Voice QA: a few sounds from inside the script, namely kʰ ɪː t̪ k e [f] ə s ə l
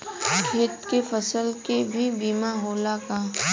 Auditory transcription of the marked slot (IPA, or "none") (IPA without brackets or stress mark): f